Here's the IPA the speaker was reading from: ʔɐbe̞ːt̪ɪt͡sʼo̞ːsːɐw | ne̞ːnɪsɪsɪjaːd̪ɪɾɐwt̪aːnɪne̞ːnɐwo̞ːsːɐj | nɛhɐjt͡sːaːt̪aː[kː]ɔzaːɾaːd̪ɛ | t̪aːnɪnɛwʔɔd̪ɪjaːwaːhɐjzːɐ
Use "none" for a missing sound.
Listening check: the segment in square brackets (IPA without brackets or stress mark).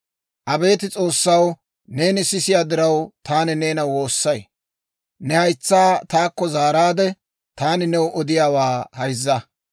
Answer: kː